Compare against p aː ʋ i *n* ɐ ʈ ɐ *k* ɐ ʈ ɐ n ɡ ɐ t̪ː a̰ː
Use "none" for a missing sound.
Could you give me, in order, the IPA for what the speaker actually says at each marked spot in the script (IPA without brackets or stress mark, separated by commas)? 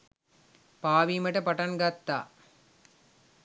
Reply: m, p